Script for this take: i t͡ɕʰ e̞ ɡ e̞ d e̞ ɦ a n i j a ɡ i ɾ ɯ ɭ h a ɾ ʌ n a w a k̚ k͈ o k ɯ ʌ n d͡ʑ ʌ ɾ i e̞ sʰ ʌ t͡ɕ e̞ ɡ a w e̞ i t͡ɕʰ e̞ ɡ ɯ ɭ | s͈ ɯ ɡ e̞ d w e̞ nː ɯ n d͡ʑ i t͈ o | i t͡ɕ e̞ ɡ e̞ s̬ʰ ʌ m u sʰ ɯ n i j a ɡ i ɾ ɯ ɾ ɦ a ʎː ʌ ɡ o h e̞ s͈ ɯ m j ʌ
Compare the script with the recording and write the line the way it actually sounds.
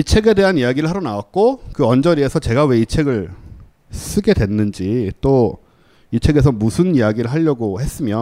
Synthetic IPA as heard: i t͡ɕʰ e̞ ɡ e̞ d e̞ ɦ a n i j a ɡ i ɾ ɯ ɭ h a ɾ ʌ n a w a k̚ k͈ o k ɯ ʌ n d͡ʑ ʌ ɾ i e̞ sʰ ʌ t͡ɕ e̞ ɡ a w e̞ i t͡ɕʰ e̞ ɡ ɯ ɭ | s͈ ɯ ɡ e̞ d w e̞ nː ɯ n d͡ʑ i t͈ o | i t͡ɕʰ e̞ ɡ e̞ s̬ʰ ʌ m u sʰ ɯ n i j a ɡ i ɾ ɯ ɭ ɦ a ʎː ʌ ɡ o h e̞ s͈ ɯ m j ʌ